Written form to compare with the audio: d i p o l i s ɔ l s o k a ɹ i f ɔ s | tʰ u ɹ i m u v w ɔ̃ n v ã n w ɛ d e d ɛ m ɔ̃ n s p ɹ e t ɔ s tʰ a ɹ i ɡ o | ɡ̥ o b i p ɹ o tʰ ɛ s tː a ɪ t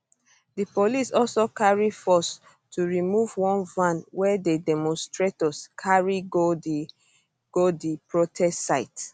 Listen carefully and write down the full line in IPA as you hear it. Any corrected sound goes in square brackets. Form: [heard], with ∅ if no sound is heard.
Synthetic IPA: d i p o l i s ɔ l s o k a ɹ i f ɔ s | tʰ u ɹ i m u v w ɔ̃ n v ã n w ɛ d e d ɛ m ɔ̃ n s [t] ɹ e t ɔ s [kʰ] a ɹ i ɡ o | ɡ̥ o [d] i p ɹ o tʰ ɛ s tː a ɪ t